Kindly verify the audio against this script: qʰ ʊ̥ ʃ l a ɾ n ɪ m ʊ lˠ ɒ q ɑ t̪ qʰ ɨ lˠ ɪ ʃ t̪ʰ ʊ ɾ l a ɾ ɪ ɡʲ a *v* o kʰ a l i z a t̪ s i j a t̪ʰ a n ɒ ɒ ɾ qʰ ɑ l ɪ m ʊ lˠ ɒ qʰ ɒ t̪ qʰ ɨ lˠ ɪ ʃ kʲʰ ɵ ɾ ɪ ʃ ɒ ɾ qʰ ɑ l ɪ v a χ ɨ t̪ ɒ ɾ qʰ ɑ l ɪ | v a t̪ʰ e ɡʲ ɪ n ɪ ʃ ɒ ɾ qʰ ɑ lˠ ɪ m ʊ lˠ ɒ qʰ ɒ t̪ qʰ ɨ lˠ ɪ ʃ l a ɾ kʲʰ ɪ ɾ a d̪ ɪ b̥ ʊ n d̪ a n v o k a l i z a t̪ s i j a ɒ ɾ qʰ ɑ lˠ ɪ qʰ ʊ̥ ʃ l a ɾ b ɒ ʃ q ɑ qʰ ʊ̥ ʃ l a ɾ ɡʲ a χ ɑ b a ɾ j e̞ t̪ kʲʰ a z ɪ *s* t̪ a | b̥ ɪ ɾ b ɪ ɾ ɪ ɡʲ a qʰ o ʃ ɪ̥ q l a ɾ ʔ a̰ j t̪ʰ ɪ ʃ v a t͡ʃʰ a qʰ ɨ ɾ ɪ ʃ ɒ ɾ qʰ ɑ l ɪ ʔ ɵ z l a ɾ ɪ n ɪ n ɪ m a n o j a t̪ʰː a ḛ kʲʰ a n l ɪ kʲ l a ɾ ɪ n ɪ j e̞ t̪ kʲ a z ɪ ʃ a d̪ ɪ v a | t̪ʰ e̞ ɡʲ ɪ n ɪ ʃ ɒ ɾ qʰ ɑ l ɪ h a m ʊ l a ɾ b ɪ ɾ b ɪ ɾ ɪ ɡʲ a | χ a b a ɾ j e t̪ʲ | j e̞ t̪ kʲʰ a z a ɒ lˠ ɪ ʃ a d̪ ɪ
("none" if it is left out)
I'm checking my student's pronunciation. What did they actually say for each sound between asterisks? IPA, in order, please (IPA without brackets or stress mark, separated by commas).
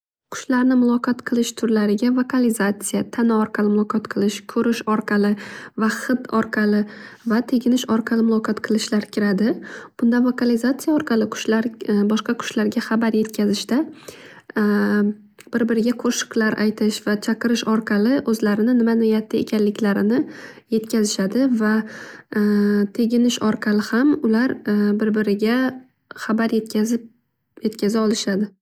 v, ʃ